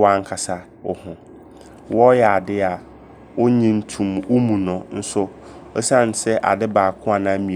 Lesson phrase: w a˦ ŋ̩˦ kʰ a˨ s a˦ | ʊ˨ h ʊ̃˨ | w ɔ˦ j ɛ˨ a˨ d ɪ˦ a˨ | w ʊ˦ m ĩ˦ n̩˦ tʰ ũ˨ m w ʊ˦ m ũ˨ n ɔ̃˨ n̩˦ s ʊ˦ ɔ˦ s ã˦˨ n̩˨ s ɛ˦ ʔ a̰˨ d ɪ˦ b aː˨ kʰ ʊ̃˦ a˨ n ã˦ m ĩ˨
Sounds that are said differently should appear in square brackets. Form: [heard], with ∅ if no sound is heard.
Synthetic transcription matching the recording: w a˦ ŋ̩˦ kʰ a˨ s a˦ | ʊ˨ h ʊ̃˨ | w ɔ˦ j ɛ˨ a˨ d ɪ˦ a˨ | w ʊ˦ [ɲ] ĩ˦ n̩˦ tʰ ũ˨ m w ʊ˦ m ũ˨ n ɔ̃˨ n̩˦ s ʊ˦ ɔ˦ s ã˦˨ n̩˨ s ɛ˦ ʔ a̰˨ d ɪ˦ b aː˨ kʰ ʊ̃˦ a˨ n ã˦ m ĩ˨

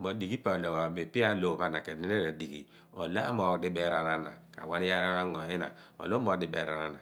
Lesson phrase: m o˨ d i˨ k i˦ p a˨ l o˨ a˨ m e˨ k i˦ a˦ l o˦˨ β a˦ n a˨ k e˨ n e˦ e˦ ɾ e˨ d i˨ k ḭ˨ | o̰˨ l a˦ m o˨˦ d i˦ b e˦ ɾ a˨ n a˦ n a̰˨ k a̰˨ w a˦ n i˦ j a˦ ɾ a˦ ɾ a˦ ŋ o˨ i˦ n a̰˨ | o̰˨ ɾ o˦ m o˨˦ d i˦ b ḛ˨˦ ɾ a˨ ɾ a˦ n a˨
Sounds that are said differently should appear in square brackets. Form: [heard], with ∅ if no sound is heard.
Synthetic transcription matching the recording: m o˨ d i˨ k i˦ p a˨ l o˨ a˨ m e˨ [p] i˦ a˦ l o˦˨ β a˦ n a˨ k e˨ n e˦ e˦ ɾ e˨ d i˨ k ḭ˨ | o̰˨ l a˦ m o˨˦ d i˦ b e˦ ɾ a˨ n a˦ n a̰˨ k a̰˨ w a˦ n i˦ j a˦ ɾ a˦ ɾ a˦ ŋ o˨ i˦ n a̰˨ | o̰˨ [l] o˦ m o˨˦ d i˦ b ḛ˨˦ ɾ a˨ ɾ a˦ n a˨

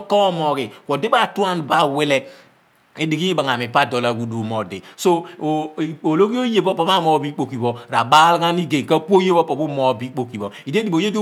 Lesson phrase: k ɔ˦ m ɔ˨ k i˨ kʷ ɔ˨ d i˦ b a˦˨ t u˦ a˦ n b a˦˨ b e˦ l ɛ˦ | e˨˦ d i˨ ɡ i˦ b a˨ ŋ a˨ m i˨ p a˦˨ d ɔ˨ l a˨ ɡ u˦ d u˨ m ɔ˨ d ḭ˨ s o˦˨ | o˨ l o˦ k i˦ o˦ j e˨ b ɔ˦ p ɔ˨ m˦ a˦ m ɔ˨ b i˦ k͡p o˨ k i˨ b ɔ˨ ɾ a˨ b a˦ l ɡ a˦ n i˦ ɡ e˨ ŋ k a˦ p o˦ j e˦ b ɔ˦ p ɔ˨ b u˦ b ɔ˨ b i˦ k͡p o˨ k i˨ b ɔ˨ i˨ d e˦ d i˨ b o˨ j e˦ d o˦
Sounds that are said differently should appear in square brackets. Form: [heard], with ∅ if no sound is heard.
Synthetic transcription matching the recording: k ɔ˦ m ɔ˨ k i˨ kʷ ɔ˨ d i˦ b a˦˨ t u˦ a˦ n b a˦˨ [w] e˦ l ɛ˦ | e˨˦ d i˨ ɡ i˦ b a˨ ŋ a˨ m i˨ p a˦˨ d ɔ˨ l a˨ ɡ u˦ d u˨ m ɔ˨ d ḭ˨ s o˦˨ | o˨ l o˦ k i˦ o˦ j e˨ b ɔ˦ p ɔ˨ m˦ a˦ m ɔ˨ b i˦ k͡p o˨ k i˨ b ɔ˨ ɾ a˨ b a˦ l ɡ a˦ n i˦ ɡ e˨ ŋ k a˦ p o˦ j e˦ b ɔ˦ p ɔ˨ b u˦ [m] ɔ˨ b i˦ k͡p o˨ k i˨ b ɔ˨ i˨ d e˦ d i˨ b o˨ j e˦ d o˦

